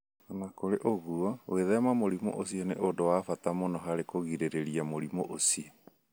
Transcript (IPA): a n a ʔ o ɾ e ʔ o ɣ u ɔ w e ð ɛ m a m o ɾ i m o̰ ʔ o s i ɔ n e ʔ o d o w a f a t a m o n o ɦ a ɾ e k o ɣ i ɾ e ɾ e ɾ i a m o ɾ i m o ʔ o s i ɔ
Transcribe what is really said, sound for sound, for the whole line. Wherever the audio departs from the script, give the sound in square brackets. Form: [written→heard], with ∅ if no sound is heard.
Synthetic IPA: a n a [ʔ→k] o ɾ e ʔ o ɣ u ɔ w e ð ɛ m a m o ɾ i m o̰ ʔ o s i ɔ n e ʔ o d o w a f a t a m o n [o→ɔ] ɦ a ɾ e k o ɣ i ɾ e ɾ e ɾ i a m o ɾ i m o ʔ o s i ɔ